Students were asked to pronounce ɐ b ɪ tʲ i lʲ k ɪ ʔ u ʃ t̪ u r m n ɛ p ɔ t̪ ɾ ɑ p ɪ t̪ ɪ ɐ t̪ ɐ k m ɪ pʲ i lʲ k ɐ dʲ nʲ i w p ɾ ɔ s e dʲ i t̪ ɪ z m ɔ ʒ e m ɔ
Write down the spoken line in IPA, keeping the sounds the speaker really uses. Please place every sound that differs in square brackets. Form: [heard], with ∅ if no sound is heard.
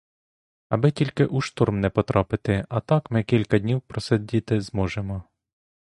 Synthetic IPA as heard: ɐ b ɪ tʲ i lʲ k ɪ ʔ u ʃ t̪ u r m n ɛ p ɔ t̪ ɾ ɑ p ɪ t̪ ɪ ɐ t̪ [ɑ] k m ɪ [kʲ] i lʲ k ɐ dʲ nʲ i w p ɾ ɔ s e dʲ i t̪ ɪ z m ɔ ʒ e m ɔ